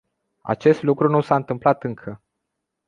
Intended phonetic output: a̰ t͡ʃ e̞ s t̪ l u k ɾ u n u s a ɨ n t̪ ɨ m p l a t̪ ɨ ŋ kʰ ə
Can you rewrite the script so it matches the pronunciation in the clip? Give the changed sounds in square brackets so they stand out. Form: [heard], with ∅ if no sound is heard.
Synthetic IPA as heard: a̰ t͡ʃ e̞ s t̪ l u k ɾ u n u s a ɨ n t̪ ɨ m p l a t̪ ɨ ŋ kʰ ə